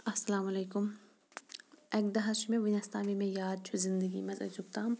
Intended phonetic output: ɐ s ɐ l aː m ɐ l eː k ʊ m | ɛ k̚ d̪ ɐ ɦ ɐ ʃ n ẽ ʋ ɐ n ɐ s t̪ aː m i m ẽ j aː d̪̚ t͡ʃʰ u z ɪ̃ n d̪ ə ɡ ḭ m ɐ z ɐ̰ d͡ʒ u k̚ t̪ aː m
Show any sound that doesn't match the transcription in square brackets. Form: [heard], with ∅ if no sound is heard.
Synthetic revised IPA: ɐ s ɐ l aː m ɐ l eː k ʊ m | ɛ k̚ d̪ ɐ ɦ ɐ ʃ [m] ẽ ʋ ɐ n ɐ s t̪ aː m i m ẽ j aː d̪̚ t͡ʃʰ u z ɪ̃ n d̪ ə ɡ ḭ m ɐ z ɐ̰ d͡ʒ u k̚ t̪ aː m